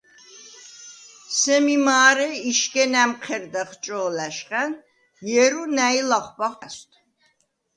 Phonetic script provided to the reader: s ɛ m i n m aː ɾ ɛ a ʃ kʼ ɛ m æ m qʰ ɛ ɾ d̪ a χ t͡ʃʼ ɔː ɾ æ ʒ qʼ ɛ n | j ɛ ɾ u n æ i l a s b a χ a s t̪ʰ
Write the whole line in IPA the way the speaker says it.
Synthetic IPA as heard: s ɛ m i m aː ɾ ɛ i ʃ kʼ ɛ n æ m qʰ ɛ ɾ d̪ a χ t͡ʃʼ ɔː l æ ʃ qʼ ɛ n | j ɛ ɾ u n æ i l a χ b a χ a s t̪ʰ